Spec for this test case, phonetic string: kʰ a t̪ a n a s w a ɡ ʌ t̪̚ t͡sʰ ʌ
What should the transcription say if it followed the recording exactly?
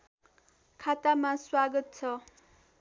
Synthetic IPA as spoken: kʰ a t̪ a m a s w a ɡ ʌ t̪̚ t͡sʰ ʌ